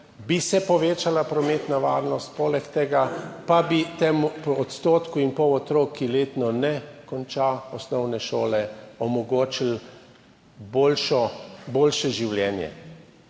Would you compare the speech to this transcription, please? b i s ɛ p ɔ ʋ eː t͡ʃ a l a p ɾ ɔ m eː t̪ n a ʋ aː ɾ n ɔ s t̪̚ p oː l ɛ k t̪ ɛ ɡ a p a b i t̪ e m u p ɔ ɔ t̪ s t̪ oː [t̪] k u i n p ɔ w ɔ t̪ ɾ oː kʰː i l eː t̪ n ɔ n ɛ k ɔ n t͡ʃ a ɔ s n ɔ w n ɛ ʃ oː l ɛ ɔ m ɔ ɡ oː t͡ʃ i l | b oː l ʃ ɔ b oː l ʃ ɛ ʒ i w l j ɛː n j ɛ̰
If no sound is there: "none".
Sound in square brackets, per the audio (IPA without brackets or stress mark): t̪